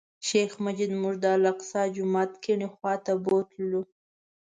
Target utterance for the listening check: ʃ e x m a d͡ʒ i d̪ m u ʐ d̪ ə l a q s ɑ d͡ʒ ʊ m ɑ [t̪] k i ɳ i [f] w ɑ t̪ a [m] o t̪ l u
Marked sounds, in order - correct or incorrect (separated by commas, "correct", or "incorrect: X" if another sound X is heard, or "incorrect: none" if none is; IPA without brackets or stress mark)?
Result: correct, incorrect: x, incorrect: b